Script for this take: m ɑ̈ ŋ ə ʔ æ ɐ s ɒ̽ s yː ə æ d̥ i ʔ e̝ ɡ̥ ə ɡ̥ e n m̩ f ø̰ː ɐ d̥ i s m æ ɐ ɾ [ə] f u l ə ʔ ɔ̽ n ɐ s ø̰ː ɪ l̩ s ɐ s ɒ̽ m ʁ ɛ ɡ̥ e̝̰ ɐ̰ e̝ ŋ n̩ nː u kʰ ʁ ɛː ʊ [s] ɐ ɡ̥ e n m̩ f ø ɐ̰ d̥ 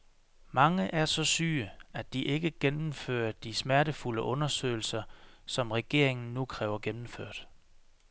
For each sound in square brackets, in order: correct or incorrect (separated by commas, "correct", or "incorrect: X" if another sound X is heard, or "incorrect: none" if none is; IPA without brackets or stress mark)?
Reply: correct, incorrect: none